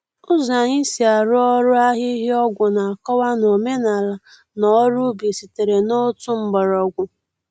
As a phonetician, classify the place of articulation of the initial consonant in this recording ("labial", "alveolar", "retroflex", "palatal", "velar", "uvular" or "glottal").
alveolar